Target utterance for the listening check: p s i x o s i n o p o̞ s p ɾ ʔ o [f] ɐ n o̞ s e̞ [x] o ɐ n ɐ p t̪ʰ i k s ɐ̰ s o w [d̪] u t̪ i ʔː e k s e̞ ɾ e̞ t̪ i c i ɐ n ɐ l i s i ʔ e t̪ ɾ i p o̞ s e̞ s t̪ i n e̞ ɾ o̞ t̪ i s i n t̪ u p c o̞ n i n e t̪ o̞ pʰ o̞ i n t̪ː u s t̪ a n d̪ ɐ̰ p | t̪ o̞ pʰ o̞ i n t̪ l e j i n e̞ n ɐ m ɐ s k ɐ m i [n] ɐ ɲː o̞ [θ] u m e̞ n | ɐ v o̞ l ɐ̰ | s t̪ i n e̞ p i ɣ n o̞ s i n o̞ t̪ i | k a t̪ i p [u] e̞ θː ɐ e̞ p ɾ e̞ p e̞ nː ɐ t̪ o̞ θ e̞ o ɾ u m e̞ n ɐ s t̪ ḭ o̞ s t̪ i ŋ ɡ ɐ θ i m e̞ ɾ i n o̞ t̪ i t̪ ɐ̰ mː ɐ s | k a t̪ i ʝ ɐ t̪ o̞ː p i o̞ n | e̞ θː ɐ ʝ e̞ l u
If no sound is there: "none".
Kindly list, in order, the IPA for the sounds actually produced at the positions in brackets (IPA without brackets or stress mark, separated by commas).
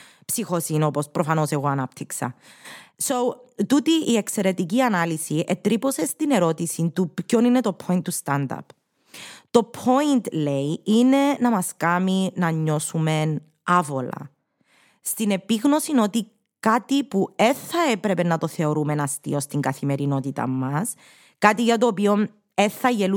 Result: f, ɣ, t̪, n, s, u